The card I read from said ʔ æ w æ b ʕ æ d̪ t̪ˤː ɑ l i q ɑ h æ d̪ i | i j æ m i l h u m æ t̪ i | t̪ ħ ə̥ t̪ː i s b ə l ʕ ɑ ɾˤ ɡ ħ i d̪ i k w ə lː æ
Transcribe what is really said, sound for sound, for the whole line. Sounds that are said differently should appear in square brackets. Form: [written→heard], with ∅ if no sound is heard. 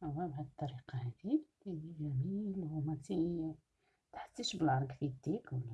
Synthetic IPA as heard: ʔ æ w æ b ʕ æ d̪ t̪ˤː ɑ [l→ɾ] i q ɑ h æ d̪ i | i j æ m i l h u m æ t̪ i | t̪ ħ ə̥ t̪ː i [s→ʃ] b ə l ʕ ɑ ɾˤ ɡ [ħ→f] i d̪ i k w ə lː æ